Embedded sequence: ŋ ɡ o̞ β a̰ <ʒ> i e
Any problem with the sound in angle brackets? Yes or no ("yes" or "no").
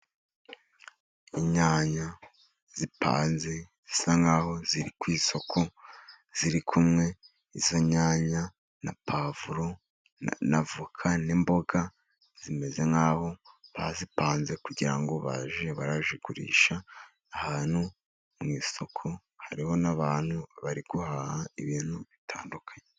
no